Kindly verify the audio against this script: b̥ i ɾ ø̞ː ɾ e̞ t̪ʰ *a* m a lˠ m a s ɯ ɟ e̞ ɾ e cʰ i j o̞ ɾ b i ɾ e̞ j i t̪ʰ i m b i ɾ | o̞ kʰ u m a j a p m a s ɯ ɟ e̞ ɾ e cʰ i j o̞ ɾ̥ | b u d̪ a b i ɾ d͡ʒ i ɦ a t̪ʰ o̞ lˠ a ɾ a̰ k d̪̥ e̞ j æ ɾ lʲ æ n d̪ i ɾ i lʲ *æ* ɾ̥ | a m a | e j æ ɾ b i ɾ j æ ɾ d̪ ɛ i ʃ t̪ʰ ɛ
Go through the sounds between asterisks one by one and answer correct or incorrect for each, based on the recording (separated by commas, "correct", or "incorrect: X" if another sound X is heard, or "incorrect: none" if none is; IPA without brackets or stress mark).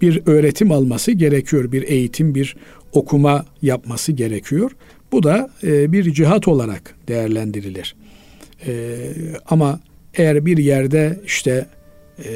incorrect: i, incorrect: i